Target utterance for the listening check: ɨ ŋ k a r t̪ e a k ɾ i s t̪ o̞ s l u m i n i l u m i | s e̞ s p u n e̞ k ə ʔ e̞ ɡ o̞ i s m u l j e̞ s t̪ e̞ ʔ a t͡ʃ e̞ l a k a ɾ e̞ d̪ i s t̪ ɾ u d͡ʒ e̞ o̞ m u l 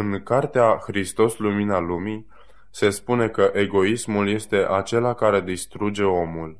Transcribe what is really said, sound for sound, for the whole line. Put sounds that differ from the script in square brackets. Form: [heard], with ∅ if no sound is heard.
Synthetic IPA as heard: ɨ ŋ k a r t̪ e a [x] ɾ i s t̪ o̞ s l u m i n [a] l u m i | s e̞ s p u n e̞ k ə ʔ e̞ ɡ o̞ i s m u l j e̞ s t̪ e̞ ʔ a t͡ʃ e̞ l a k a ɾ e̞ d̪ i s t̪ ɾ u d͡ʒ e̞ o̞ m u l